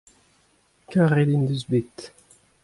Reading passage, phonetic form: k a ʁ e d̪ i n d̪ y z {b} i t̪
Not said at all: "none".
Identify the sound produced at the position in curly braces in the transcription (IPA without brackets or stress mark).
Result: b